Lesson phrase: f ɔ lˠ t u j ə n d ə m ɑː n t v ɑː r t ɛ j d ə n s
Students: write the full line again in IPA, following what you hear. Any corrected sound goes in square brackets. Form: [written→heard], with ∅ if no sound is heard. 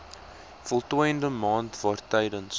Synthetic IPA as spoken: f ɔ lˠ t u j ə n d ə m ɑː n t v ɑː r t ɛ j d ə n s